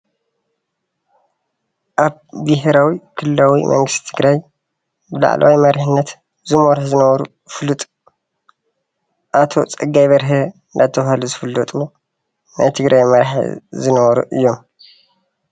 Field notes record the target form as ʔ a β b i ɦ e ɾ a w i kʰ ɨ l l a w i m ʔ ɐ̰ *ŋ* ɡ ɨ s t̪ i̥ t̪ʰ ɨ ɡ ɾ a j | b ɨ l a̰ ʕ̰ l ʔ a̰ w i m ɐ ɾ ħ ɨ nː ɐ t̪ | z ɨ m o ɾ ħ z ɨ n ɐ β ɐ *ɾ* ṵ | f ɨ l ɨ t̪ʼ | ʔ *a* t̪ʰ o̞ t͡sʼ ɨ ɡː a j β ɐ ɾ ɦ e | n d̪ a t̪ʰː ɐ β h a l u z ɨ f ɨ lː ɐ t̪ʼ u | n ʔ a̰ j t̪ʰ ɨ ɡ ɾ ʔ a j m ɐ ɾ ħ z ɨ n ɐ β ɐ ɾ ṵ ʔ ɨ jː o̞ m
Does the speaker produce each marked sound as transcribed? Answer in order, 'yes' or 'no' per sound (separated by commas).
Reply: yes, yes, yes